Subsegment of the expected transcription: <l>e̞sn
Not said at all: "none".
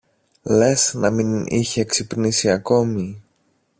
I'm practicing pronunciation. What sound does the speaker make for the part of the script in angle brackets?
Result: l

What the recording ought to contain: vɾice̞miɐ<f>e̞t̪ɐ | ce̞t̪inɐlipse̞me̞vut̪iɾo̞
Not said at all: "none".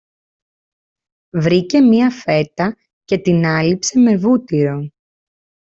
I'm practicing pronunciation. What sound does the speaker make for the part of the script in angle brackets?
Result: f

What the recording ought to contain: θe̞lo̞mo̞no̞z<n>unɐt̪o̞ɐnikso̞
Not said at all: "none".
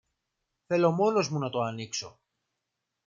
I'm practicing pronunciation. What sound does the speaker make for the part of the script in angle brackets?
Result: m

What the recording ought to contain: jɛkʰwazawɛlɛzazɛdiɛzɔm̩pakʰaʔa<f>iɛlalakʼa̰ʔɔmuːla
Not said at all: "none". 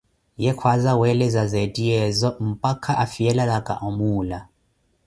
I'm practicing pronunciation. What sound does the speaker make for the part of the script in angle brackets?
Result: f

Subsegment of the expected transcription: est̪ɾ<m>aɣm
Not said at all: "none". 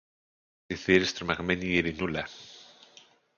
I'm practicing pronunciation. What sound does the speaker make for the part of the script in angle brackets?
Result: m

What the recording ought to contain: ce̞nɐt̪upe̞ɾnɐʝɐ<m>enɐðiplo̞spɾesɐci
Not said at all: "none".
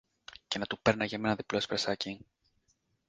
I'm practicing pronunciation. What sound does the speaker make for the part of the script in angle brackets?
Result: m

